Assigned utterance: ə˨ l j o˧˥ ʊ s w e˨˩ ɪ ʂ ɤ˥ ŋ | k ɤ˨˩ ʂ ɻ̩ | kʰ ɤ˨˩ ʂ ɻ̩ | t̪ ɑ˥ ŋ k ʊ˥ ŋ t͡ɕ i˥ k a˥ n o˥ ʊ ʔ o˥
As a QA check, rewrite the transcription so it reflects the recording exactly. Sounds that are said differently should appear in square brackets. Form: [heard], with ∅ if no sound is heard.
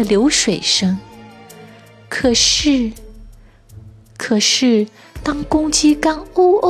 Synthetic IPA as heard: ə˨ l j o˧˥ ʊ [ʂ] w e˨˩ ɪ ʂ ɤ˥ ŋ | [kʰ] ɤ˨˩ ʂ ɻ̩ | kʰ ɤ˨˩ ʂ ɻ̩ | t̪ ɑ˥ ŋ k ʊ˥ ŋ t͡ɕ i˥ k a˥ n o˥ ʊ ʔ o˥